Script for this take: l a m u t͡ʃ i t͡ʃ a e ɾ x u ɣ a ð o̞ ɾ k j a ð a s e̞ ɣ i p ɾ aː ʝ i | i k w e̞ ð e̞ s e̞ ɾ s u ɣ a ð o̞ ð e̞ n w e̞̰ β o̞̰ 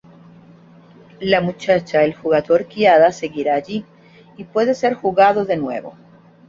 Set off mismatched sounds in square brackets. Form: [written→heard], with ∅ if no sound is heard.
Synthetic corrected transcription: l a m u t͡ʃ [i→a] t͡ʃ a e [ɾ→l] x u ɣ a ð o̞ ɾ k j a ð a s e̞ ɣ i [p→∅] ɾ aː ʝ i | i [k→p] w e̞ ð e̞ s e̞ ɾ [s→x] u ɣ a ð o̞ ð e̞ n w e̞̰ β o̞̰